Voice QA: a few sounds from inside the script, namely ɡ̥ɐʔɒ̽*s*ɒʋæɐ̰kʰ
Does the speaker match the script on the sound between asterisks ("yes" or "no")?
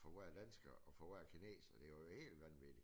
no